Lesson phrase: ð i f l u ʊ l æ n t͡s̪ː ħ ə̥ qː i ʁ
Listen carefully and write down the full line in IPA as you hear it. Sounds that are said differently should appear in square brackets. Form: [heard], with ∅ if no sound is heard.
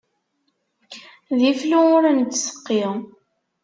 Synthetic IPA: ð i f l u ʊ [ɾ] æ n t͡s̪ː [s] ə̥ qː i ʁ